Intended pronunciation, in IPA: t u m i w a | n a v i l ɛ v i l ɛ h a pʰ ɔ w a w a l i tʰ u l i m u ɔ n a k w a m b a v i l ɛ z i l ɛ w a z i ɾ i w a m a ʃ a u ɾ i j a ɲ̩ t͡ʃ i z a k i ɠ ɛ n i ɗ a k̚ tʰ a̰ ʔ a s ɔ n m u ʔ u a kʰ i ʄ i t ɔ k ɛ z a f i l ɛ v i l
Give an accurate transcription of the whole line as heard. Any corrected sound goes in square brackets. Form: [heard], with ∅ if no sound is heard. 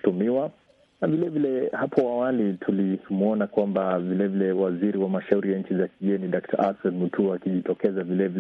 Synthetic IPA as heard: t u m i w a | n a v i l ɛ v i l ɛ h a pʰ ɔ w a w a l i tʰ u l i m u ɔ n a k w a m b a v i l ɛ [v] i l ɛ w a z i ɾ i w a m a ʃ a u ɾ i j a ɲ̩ t͡ʃ i z a k i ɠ ɛ n i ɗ a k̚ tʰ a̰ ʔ a s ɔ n m u [t] u a [k] i ʄ i t ɔ k ɛ z a [v] i l ɛ v i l